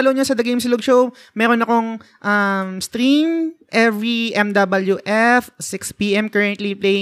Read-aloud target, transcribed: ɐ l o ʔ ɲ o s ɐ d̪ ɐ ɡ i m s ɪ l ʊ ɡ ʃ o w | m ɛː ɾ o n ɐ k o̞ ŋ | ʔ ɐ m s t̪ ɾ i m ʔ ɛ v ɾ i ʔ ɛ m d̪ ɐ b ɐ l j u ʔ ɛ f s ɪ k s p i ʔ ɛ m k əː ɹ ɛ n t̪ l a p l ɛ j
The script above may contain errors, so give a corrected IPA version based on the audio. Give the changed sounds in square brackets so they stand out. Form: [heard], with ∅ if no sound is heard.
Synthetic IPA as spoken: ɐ l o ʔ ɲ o s ɐ d̪ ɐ ɡ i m s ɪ l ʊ ɡ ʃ o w | m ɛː ɾ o n ɐ k o̞ ŋ | ʔ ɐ m s t̪ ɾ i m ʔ ɛ v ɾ i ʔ ɛ m d̪ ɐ b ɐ l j u ʔ ɛ f s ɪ k s p i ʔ ɛ m k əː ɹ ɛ n t̪ l [i] p l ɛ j